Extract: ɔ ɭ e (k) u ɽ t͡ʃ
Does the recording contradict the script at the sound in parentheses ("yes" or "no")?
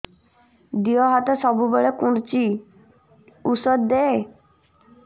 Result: no